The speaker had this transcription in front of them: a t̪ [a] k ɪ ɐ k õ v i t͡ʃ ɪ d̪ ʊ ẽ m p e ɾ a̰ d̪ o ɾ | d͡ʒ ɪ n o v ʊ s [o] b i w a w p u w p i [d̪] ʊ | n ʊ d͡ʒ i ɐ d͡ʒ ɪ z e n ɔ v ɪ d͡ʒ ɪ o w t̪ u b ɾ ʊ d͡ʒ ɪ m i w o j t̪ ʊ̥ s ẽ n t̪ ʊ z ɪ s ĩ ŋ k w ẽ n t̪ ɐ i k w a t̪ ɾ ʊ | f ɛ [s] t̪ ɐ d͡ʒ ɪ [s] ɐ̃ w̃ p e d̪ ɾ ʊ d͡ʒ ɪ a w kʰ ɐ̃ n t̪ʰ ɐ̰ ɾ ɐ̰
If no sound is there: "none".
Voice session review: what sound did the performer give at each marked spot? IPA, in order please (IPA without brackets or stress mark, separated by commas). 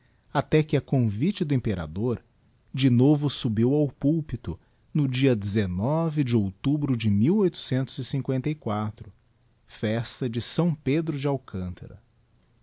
ɛ, u, t̪, s, s